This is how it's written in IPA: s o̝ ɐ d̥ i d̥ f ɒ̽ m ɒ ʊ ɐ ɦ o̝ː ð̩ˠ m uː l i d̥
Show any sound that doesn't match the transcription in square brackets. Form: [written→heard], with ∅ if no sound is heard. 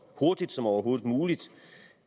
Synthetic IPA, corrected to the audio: [s→h] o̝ ɐ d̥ i d̥ [f→s] ɒ̽ m ɒ ʊ ɐ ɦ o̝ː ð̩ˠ m uː l i d̥

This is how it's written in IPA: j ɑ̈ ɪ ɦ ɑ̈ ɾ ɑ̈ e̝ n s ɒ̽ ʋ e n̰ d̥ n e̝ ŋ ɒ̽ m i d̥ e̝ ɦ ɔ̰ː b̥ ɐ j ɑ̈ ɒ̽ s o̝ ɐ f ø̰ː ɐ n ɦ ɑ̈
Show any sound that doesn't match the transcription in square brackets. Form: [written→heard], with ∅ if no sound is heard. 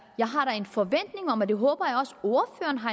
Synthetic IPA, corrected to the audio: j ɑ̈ ɪ ɦ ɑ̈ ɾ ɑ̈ e̝ n [s→f] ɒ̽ ʋ e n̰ d̥ n e̝ ŋ ɒ̽ m [i→æ] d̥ e̝ ɦ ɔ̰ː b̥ ɐ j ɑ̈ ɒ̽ s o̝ ɐ f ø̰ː ɐ n ɦ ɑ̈

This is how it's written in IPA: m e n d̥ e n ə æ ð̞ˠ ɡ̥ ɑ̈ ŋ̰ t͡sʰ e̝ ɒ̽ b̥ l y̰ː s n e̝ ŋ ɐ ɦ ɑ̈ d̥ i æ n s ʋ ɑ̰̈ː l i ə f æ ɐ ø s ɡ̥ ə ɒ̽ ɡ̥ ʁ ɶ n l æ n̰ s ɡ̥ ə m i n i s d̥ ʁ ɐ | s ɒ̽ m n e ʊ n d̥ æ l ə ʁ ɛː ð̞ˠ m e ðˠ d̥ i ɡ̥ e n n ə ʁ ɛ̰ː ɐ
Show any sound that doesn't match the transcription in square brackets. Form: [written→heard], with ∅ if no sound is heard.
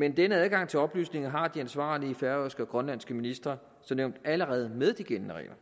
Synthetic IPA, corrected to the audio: m e n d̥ e n ə æ ð̞ˠ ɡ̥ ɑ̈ ŋ̰ t͡sʰ e̝ ɒ̽ b̥ l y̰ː s n e̝ ŋ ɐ ɦ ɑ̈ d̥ i æ n s ʋ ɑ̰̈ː l i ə f æ ɐ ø s ɡ̥ ə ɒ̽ ɡ̥ ʁ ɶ n l æ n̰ s ɡ̥ ə m i n i s d̥ ʁ ɐ | s ɒ̽ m n e ʊ n d̥ æ l ə ʁ ɛː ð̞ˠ m e ðˠ d̥ i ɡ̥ e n n ə ʁ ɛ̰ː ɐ

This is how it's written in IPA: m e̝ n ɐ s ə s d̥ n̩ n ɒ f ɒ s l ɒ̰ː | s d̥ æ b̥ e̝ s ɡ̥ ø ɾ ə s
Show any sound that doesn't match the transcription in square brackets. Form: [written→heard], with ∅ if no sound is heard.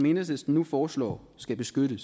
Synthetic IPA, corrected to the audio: m e̝ n [ɐ→ə] s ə s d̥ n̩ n [ɒ→u] f [ɒ→ɒː] s l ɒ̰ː | s [d̥→ɡ̥] æ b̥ e̝ s ɡ̥ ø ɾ ə s

